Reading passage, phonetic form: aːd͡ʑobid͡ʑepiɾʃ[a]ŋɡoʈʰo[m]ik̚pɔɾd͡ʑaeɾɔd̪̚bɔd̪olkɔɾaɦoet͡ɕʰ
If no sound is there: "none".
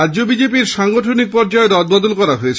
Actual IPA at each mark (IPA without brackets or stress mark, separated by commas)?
a, n